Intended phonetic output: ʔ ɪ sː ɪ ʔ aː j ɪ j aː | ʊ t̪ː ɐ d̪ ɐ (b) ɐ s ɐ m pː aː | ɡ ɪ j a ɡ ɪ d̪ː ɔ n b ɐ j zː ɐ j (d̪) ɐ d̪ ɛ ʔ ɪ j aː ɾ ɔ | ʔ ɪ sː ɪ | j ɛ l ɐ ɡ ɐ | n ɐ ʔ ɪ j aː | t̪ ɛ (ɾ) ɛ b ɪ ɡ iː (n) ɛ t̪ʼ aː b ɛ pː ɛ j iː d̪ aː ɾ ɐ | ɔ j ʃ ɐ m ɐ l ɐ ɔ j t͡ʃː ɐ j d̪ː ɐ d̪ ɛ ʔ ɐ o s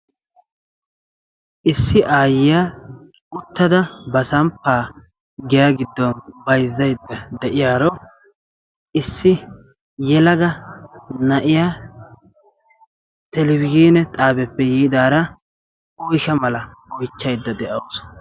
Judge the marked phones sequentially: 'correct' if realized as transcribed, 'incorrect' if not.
correct, incorrect: d̪ː, incorrect: l, correct

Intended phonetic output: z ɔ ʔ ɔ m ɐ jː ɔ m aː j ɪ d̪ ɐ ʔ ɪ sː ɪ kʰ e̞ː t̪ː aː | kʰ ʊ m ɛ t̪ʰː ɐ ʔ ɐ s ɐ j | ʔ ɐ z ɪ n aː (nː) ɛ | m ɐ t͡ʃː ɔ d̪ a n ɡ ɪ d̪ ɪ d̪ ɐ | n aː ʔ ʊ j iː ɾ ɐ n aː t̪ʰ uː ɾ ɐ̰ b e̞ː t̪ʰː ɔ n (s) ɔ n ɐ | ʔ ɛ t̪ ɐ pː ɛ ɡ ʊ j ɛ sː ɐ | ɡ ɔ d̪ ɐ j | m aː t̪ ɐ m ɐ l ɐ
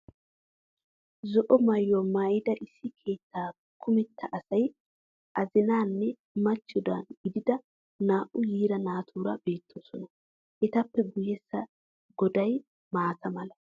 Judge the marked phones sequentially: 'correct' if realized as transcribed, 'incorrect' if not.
correct, correct

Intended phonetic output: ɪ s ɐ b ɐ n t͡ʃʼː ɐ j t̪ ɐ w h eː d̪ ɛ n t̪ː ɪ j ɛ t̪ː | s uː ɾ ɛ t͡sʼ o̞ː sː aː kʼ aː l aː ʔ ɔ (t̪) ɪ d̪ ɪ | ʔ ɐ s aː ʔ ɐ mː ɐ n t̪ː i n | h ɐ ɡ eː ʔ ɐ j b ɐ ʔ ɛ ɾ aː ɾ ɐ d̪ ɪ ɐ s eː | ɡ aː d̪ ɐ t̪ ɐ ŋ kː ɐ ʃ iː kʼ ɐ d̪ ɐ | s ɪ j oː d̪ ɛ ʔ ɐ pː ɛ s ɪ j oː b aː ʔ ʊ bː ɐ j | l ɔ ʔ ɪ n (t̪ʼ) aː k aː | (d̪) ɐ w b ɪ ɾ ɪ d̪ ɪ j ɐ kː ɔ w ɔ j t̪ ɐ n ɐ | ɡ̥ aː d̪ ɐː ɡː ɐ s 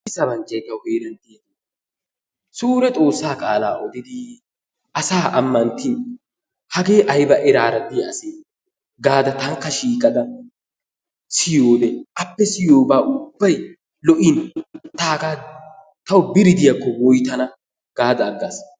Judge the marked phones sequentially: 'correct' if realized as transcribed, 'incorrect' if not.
incorrect: d̪, incorrect: t̪, incorrect: t̪

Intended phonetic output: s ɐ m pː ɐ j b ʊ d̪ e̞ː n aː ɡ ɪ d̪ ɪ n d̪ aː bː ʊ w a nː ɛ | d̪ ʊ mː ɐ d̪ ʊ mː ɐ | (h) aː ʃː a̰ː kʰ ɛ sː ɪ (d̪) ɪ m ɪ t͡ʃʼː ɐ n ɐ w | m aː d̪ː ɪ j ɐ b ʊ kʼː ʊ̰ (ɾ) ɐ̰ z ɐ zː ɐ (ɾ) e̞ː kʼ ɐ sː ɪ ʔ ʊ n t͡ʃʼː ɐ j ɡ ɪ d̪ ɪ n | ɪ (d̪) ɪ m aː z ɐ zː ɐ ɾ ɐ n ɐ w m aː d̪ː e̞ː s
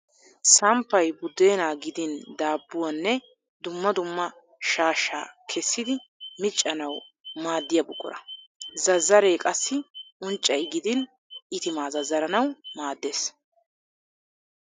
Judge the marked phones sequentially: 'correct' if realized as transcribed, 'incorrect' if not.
incorrect: ʃ, correct, correct, correct, incorrect: t̪

